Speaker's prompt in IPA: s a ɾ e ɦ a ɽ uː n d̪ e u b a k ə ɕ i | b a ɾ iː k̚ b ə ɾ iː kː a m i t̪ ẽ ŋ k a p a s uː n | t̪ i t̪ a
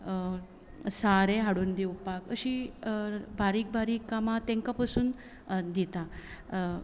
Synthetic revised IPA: s a ɾ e ɦ a ɽ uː n d̪ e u p a k ə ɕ i | b a ɾ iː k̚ b a ɾ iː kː a m a t̪ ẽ ŋ k a p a s uː n | d̪ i t̪ a

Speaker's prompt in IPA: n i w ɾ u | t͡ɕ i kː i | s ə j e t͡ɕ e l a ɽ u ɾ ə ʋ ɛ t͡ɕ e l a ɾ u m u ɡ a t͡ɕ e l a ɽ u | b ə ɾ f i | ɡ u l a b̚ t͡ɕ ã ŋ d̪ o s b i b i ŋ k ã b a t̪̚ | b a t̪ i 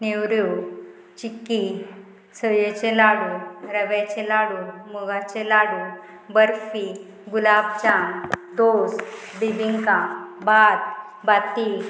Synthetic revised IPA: n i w ɾ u | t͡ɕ i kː i | s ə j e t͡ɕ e l a ɽ u ɾ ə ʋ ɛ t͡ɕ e l a ɽ u m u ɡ a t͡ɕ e l a ɽ u | b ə ɾ f i | ɡ u l a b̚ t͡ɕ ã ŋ d̪ o s b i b i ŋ k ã b a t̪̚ | b a t̪ i

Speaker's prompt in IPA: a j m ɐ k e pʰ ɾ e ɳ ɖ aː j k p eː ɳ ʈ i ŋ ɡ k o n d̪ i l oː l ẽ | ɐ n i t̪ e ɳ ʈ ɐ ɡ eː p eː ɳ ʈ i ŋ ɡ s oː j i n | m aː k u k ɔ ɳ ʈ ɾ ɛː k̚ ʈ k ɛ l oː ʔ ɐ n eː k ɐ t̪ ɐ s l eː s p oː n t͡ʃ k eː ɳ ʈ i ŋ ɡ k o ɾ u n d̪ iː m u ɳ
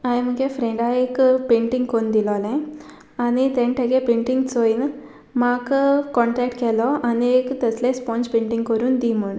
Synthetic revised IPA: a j m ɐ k e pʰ ɾ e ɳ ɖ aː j k p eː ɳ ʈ i ŋ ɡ k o n d̪ i l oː l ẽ | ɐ n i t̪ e ɳ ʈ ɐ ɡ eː p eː ɳ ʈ i ŋ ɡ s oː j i n | m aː k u k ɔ ɳ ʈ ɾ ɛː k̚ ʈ k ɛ l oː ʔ ɐ n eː k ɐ t̪ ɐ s l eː s p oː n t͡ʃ p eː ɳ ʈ i ŋ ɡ k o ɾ u n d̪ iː m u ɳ

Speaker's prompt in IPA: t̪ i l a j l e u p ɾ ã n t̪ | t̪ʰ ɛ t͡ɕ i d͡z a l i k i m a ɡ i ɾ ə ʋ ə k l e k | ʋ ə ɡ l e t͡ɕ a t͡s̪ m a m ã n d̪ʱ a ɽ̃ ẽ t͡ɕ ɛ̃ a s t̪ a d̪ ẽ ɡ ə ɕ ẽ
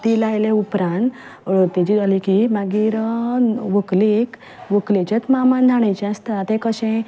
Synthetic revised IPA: t̪ i l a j l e u p ɾ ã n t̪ | t̪ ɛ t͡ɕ i d͡z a l i k i m a ɡ i ɾ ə ʋ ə k l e k | ʋ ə k l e t͡ɕ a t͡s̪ m a m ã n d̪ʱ a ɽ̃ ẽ t͡ɕ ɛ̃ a s t̪ a t̪ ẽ k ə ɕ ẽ

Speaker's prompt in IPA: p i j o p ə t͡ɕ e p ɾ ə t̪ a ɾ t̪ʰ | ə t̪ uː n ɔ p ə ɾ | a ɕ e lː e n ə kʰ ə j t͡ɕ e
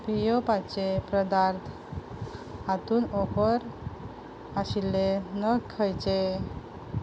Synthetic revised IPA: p i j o p a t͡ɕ e p ɾ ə d̪ a ɾ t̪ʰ | a t̪ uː n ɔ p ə ɾ | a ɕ i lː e n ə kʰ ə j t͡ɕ e

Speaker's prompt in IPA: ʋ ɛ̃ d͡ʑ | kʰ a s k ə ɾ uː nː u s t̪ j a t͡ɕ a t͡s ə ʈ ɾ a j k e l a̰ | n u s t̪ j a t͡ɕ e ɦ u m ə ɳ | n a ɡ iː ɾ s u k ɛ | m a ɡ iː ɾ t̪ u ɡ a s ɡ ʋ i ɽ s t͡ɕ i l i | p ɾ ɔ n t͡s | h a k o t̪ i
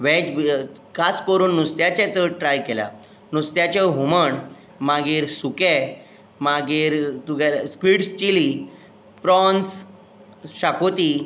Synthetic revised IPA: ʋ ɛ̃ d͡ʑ | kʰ a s k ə ɾ uː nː u s t̪ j a t͡ɕ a t͡s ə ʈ ɾ a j k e l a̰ | n u s t̪ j a t͡ɕ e ɦ u m ə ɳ | m a ɡ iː ɾ s u k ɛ | m a ɡ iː ɾ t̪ u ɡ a s k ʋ i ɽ s t͡ɕ i l i | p ɾ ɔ n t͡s | ɕ a k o t̪ i

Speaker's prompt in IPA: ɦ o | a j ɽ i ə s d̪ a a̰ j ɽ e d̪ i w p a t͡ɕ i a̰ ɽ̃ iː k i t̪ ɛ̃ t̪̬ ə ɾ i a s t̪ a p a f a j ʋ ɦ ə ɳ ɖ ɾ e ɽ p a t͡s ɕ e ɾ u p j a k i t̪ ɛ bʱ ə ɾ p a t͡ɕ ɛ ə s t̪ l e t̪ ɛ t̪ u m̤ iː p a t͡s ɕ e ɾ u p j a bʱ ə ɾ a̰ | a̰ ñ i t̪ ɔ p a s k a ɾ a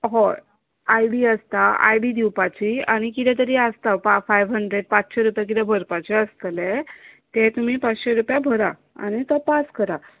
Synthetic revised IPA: ɦ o | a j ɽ i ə s t̪ a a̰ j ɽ i d̪ i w p a t͡ɕ i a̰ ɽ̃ i k i t̪ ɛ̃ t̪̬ ə ɾ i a s t̪ a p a f a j ʋ ɦ ə ɳ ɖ ɾ e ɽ p a t͡s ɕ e ɾ u p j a k i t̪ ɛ bʱ ə ɾ p a t͡ɕ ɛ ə s t̪ l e t̪ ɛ t̪ u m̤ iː p a t͡s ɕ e ɾ u p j a bʱ ə ɾ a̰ | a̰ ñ i t̪ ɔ p a s k ə ɾ a

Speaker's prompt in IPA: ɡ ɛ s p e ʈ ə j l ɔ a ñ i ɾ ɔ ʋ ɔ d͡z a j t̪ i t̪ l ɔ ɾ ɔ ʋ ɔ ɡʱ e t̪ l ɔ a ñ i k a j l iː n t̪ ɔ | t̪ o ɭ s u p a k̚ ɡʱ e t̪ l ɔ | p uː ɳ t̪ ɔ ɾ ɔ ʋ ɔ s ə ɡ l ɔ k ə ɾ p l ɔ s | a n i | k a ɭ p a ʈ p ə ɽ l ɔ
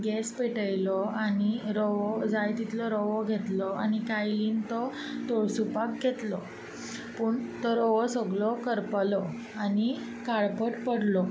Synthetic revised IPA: ɡ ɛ s p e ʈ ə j l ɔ a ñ i ɾ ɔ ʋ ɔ d͡z a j t̪ i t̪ l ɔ ɾ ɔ ʋ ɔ ɡʱ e t̪ l ɔ a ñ i k a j l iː n t̪ ɔ | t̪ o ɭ s u p a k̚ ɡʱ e t̪ l ɔ | p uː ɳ t̪ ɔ ɾ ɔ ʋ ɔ s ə ɡ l ɔ k ə ɾ p l ɔ | a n i | k a ɭ p ə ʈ p ə ɽ l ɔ

